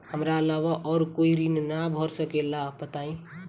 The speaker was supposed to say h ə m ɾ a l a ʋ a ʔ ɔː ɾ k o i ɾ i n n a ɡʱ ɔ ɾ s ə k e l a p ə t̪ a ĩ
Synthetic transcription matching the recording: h ə m ɾ a l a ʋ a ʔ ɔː ɾ k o i ɾ i n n a bʱ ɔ ɾ s ə k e l a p ə t̪ a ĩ